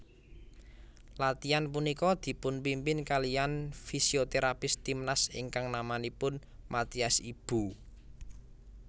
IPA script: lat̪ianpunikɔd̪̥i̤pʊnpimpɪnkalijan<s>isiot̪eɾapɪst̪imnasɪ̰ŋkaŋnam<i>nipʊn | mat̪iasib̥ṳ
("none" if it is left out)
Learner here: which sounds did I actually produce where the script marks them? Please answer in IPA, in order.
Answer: f, a

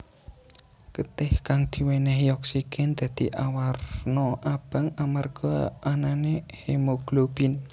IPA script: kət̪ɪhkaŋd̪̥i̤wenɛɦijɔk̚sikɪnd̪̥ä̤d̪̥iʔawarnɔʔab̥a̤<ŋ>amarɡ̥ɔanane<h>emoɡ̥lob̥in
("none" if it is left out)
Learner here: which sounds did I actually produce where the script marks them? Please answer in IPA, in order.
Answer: ŋ, h

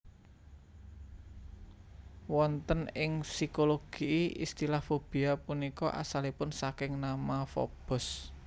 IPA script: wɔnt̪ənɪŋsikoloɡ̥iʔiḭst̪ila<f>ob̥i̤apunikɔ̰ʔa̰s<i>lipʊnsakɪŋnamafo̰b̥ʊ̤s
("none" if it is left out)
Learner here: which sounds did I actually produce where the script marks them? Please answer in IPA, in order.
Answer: f, a

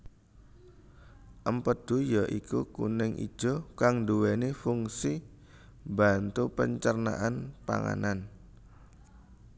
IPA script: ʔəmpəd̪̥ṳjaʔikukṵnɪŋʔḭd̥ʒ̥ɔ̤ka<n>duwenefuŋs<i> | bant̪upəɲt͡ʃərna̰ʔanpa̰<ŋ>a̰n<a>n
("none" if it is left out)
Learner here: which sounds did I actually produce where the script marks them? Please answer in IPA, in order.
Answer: ŋ, i, ŋ, a

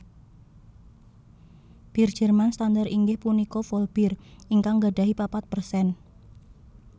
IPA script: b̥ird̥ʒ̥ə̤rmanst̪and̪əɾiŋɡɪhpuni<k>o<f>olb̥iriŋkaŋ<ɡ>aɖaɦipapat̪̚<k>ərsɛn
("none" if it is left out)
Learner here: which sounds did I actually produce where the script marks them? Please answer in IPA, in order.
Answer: k, f, ɡ, p

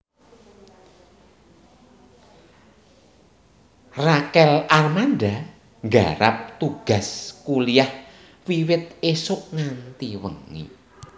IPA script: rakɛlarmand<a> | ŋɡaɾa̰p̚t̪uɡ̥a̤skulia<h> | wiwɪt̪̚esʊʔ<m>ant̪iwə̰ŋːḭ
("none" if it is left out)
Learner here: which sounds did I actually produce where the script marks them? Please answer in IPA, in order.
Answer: a, h, ŋ

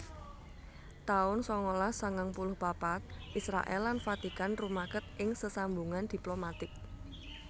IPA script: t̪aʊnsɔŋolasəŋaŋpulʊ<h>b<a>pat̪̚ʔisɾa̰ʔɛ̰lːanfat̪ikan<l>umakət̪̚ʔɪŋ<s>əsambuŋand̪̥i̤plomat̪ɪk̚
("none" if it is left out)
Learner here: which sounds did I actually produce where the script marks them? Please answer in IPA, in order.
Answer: h, a, r, s

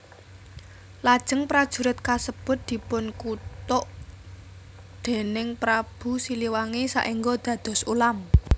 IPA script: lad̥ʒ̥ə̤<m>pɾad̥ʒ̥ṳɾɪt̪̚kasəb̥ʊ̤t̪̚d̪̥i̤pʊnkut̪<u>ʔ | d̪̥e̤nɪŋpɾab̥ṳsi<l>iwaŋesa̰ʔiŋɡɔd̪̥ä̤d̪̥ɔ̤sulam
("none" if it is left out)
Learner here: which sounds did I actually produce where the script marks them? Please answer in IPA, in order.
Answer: ŋ, ʊ, l

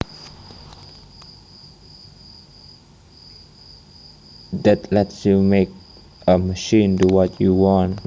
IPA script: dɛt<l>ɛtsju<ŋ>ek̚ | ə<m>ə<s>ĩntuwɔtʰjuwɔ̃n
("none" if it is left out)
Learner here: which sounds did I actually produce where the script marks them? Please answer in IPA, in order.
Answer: l, m, m, ʃ

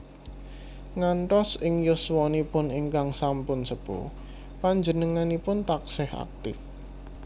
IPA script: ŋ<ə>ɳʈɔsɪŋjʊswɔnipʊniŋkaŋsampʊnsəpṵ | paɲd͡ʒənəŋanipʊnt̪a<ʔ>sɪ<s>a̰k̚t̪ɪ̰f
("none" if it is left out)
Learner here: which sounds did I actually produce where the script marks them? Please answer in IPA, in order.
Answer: a, k, h

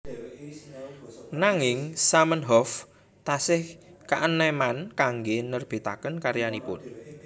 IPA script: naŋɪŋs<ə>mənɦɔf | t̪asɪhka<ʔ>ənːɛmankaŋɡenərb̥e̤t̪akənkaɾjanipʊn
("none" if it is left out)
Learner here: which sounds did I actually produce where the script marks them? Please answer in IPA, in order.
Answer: a, ʔ

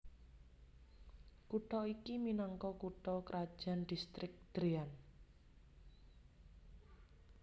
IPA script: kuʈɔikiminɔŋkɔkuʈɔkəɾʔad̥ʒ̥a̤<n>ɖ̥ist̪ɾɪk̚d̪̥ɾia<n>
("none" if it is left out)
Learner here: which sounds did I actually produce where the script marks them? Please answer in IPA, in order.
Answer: n, n

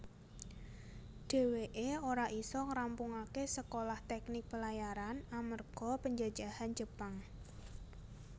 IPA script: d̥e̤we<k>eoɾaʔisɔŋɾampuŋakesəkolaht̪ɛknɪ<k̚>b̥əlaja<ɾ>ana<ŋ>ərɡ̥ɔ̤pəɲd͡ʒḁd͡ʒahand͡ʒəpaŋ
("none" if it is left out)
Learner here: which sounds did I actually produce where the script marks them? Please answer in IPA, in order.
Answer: ʔ, k̚, ɾ, m

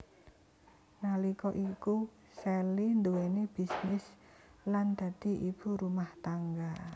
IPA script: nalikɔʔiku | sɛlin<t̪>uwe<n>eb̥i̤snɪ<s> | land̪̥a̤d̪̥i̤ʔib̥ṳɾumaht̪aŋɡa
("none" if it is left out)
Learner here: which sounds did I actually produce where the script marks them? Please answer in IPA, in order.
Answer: d̪, n, s

